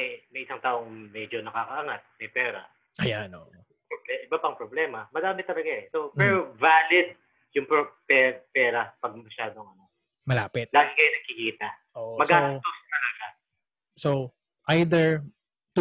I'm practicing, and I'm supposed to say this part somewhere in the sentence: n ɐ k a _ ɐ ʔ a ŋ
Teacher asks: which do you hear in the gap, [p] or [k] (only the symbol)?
k